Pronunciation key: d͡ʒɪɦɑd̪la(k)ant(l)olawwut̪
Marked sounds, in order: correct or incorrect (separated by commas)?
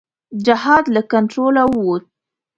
correct, incorrect